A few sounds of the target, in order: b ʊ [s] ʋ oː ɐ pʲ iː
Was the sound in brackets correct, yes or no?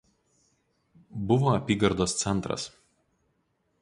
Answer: no